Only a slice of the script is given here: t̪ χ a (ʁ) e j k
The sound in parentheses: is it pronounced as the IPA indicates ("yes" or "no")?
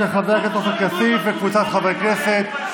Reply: no